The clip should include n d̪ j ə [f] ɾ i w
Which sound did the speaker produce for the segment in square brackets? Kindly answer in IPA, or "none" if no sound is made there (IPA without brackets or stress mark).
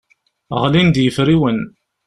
f